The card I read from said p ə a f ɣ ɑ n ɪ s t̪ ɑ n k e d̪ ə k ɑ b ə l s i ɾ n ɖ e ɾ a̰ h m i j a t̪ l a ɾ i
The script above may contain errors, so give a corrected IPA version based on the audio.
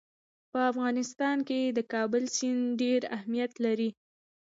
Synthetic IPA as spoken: p ə a f ɣ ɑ n ɪ s t̪ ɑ n k e d̪ ə k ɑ b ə l s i n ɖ e ɾ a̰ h m i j a t̪ l a ɾ i